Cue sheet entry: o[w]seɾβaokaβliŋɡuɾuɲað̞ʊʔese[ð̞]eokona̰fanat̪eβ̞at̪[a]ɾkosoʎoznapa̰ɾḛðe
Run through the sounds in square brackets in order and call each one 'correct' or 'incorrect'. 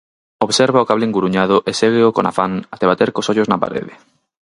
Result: incorrect, incorrect, incorrect

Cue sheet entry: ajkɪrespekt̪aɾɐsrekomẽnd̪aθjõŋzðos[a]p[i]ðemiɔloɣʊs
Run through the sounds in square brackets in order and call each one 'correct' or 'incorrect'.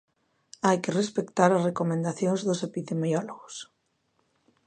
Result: incorrect, correct

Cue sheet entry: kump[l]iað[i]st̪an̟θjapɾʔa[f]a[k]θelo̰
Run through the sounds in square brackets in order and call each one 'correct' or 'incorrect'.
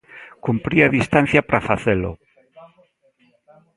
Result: incorrect, correct, correct, incorrect

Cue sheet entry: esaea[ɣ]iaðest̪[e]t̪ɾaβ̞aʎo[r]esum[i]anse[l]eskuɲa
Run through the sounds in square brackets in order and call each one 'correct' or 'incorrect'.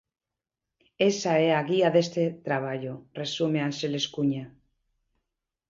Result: correct, correct, correct, incorrect, correct

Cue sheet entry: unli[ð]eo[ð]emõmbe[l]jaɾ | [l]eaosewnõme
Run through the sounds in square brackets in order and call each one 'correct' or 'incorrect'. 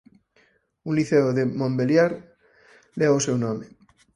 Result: incorrect, correct, correct, correct

